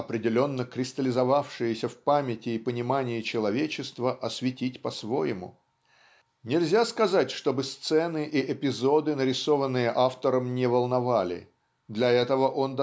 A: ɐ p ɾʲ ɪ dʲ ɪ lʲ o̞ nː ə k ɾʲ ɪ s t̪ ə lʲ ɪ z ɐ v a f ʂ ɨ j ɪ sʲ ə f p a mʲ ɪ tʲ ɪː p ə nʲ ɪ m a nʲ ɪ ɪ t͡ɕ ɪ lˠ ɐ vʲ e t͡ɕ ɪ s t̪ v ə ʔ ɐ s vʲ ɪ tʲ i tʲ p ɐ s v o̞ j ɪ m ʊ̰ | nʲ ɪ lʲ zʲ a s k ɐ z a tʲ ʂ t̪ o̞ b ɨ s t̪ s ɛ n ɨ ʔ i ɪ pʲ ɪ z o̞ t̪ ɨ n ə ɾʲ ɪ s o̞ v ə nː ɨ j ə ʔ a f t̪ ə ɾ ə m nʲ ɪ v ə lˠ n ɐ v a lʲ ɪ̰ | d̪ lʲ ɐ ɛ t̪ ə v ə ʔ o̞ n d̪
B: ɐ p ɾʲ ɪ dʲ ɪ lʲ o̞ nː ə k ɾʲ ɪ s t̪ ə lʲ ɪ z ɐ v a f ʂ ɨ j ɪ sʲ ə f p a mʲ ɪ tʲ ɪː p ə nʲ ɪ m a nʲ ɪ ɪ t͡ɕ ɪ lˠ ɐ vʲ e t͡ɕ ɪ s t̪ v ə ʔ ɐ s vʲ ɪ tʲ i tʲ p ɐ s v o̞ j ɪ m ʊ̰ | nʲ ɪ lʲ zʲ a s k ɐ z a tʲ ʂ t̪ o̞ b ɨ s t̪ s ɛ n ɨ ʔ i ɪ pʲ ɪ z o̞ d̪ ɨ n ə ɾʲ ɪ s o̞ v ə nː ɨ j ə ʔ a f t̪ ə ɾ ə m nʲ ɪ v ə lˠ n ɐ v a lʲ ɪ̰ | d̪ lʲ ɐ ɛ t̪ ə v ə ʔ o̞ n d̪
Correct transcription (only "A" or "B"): B